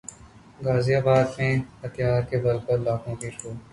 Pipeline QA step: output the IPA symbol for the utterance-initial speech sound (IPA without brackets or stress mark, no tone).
ɡ